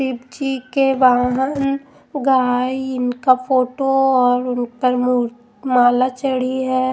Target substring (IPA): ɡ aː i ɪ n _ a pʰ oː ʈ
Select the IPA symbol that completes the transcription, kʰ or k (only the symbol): k